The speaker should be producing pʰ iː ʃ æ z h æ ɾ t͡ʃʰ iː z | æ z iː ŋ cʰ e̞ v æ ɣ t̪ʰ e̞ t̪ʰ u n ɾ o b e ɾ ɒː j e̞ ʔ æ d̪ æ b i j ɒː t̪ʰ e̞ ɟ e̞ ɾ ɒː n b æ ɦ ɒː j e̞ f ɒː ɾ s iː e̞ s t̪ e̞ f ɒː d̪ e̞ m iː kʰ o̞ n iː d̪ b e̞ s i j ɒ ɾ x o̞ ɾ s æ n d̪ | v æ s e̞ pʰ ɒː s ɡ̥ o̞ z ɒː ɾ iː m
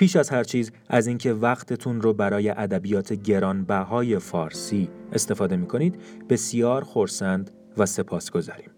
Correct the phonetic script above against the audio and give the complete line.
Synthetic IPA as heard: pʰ iː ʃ æ z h æ ɾ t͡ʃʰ iː z | æ z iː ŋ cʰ e̞ v æ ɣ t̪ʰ e̞ t̪ʰ u n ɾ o b æ ɾ ɒː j e̞ ʔ æ d̪ æ b i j ɒː t̪ʰ e̞ ɟ e̞ ɾ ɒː n b æ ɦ ɒː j e̞ f ɒː ɾ s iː e̞ s t̪ e̞ f ɒː d̪ e̞ m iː kʰ o̞ n iː d̪ b e̞ s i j ɒː ɾ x o̞ ɾ s æ n d̪ | v æ s e̞ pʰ ɒː s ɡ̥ o̞ z ɒː ɾ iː m